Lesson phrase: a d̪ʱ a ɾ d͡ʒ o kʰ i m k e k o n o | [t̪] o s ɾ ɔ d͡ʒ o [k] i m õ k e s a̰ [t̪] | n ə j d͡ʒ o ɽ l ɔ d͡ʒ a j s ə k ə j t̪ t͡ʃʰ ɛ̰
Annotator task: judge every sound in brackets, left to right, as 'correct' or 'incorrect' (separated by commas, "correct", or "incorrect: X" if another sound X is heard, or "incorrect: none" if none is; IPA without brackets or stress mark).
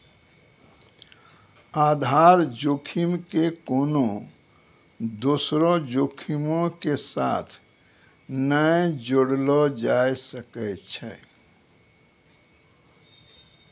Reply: incorrect: d̪, incorrect: kʰ, incorrect: t̪ʰ